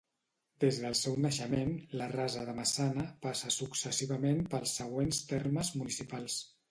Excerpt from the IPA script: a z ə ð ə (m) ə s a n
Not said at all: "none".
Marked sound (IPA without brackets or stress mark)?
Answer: m